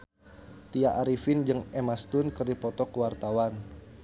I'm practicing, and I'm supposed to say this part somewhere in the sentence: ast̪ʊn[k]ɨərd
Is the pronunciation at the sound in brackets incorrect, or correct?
correct